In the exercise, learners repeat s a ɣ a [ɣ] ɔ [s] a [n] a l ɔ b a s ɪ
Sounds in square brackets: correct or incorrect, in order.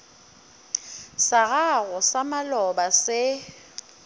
correct, correct, incorrect: m

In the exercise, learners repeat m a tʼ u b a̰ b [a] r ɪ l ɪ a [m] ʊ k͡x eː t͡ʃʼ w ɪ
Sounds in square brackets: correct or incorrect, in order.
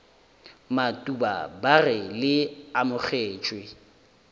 correct, correct

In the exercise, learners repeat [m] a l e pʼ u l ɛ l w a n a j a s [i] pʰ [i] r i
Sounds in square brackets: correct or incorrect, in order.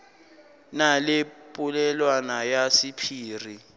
incorrect: n, correct, incorrect: iː

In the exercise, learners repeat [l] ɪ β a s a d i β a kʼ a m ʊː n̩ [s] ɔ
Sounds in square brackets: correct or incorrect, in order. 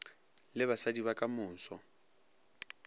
correct, correct

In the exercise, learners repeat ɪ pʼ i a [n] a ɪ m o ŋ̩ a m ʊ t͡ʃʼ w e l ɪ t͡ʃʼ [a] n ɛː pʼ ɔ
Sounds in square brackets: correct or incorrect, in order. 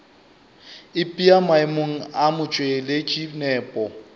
incorrect: m, incorrect: i

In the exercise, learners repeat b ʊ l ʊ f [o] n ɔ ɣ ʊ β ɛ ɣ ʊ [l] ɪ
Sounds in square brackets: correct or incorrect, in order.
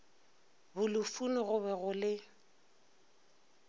incorrect: u, correct

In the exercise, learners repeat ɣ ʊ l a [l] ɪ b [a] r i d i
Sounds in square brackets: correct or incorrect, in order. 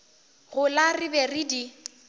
incorrect: r, incorrect: ɛ

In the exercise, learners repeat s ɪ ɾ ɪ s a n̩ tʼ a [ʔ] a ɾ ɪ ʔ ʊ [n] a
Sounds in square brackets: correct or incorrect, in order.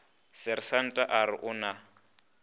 correct, correct

